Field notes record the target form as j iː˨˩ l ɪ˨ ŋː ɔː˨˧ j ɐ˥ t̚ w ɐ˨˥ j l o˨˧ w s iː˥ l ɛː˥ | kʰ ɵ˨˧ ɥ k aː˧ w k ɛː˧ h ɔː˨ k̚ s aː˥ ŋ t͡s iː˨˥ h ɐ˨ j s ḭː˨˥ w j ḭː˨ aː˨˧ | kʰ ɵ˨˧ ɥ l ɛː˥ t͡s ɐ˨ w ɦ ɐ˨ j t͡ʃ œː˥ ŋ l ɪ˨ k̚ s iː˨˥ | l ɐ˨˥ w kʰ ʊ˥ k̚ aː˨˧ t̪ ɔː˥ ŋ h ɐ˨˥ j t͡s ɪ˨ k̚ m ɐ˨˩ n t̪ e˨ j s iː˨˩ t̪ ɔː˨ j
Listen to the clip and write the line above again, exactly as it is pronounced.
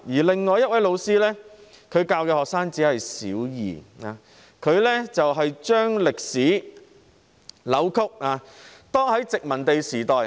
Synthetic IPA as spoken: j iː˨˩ l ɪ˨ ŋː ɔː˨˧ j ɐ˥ t̚ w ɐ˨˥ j l o˨˧ w s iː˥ l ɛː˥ | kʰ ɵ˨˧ ɥ k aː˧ w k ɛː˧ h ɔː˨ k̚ s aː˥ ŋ t͡s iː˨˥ h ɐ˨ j s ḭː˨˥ w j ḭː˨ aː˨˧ | kʰ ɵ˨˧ ɥ l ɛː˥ t͡s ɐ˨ w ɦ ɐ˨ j t͡ʃ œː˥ ŋ l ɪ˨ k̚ s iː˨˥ | l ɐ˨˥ w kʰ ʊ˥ k̚ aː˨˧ t̪ ɔː˥ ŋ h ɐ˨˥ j t͡s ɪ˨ k̚ m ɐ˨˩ n t̪ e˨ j s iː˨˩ t̪ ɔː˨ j